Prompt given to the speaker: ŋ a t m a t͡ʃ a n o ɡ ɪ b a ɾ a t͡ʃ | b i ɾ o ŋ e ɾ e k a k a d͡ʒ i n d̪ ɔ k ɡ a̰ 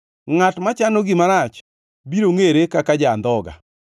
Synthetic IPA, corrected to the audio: ŋ a t m a t͡ʃ a n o ɡ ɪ m a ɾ a t͡ʃ | b i ɾ o ŋ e ɾ e k a k a d͡ʒ a n d̪ ɔ ɡ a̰